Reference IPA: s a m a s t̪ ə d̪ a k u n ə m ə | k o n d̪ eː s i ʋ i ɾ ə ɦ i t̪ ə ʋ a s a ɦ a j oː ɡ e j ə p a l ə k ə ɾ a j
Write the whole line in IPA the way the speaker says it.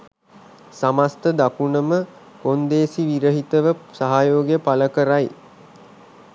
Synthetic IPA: s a m a s t̪ ə d̪ a k u n ə m ə | k o n d̪ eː s i ʋ i ɾ ə ɦ i t̪ ə ʋ ə s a ɦ a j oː ɡ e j ə p a l ə k ə ɾ a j